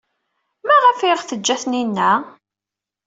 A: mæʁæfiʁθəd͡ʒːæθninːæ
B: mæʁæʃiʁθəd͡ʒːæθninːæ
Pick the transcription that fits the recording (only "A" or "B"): A